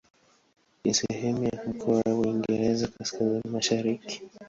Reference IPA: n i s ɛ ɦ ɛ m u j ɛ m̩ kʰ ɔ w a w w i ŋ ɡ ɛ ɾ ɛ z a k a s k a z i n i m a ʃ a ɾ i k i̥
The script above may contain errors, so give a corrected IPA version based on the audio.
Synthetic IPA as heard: n i s ɛ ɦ ɛ m u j a m̩ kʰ ɔ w a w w i ŋ ɡ ɛ ɾ ɛ z a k a s k a z i n i m a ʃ a ɾ i k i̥